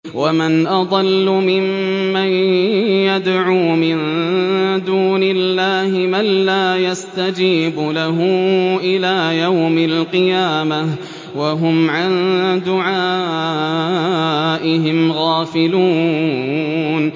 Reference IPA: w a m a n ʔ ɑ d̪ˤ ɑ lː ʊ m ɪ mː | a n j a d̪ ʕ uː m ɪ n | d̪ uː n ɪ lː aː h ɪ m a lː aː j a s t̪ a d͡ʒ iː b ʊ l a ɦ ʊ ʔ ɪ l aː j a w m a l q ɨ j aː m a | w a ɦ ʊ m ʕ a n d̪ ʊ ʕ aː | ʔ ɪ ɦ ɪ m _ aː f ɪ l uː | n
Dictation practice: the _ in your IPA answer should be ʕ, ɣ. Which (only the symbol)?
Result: ɣ